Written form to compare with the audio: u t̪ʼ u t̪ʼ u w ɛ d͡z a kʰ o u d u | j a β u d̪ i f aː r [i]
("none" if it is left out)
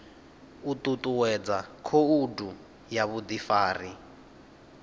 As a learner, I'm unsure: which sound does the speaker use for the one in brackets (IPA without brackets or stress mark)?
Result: i